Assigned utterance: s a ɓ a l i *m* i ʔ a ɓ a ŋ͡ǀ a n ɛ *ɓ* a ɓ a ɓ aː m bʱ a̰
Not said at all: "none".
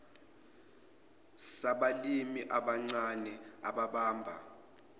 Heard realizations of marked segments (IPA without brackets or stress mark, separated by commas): m, none